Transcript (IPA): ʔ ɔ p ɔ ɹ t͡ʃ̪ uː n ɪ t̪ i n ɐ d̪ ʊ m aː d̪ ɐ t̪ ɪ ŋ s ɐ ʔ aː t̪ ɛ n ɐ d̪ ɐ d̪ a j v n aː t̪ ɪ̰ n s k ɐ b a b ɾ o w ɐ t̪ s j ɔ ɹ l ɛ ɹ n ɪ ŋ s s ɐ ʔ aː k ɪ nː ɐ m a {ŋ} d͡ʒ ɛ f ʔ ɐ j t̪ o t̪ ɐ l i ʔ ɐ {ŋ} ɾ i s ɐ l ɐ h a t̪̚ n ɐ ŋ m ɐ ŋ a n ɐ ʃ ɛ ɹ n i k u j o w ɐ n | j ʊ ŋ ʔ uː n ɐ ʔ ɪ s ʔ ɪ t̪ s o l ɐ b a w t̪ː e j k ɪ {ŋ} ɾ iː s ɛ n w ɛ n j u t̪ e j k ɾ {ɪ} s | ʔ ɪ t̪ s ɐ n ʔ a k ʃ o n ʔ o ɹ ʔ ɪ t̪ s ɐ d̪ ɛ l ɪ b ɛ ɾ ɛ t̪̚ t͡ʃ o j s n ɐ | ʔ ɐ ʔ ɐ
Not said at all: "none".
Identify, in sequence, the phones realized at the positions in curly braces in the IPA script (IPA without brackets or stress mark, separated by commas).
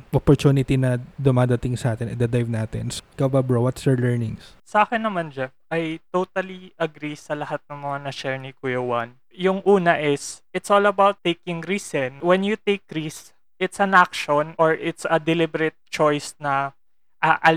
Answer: n, ɡ, ŋ, i